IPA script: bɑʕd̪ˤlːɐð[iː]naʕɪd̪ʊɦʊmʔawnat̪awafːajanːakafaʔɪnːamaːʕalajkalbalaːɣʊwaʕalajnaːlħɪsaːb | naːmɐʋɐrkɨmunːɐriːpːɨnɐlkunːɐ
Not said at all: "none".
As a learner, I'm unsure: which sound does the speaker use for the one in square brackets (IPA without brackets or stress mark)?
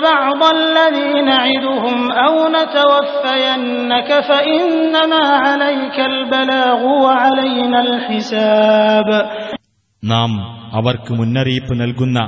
iː